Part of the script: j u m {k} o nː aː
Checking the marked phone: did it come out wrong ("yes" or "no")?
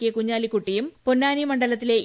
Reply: yes